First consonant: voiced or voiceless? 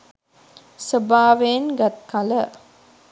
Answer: voiceless